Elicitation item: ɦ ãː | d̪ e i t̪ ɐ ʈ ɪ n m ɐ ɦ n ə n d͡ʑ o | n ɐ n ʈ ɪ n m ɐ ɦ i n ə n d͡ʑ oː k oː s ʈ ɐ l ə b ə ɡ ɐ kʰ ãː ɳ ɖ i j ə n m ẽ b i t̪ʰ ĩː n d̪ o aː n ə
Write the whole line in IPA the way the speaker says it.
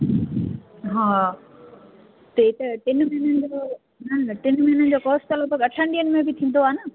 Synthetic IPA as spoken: ɦ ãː | t̪ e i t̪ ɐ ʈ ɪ n m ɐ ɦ n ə n d͡ʑ o | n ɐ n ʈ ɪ n m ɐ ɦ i n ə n d͡ʑ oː k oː s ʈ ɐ l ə b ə ɡ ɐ ʈʰ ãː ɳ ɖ i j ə n m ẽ b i t̪ʰ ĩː n d̪ o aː n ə